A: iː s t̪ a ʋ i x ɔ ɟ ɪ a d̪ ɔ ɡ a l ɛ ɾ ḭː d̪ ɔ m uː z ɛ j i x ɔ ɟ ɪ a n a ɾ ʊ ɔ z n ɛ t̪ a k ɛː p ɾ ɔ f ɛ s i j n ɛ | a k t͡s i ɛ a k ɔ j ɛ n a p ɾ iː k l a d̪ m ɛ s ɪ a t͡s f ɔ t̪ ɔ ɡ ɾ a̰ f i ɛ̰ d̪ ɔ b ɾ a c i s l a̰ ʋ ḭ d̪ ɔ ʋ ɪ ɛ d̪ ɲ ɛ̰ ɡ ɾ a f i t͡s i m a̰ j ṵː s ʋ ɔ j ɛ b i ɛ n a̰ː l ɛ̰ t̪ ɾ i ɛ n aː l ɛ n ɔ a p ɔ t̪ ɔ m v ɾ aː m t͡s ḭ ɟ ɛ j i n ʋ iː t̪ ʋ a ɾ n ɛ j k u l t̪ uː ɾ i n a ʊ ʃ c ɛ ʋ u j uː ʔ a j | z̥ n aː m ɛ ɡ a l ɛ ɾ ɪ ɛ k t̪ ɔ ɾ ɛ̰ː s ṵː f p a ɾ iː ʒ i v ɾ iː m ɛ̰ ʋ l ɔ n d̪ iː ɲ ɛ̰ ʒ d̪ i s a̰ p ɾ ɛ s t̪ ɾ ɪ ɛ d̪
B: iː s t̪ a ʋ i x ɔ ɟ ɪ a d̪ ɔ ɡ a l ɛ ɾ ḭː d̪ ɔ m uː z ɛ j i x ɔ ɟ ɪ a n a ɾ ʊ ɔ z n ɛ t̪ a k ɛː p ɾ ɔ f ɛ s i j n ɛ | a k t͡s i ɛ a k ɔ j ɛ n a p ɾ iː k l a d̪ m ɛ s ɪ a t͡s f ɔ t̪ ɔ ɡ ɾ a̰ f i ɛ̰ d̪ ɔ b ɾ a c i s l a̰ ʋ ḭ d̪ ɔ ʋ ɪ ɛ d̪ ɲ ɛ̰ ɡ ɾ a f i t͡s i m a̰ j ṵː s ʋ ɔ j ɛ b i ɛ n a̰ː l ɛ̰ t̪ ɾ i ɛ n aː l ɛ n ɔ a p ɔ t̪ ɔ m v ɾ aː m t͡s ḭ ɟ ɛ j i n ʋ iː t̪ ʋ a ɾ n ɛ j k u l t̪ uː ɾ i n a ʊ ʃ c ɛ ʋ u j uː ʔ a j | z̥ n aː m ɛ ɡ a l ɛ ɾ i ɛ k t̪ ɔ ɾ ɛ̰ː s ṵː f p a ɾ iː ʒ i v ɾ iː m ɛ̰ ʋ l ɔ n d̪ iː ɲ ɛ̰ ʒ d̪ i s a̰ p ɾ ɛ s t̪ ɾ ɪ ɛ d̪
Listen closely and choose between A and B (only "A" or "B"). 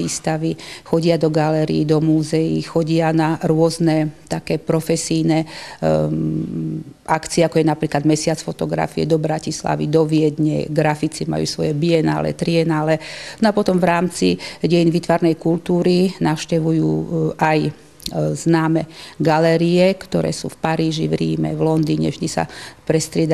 B